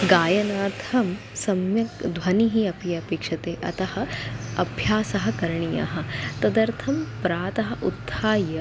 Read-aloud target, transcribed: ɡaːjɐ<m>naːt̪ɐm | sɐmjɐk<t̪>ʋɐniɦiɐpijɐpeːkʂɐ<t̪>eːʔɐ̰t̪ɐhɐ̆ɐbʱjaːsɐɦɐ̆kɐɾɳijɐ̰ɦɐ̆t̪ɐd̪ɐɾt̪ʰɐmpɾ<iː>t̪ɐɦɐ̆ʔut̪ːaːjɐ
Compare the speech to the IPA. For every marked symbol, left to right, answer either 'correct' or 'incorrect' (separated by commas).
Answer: incorrect, incorrect, correct, incorrect